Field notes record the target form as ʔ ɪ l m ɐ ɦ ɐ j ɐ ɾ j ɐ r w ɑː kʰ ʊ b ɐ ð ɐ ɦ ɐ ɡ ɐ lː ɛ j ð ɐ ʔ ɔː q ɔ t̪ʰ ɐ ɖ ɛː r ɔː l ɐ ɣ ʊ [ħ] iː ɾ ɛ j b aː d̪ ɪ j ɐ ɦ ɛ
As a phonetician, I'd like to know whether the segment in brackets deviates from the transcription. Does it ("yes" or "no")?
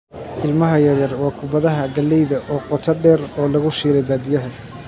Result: yes